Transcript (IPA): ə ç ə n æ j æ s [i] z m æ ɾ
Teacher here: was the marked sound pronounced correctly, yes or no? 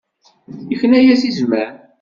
yes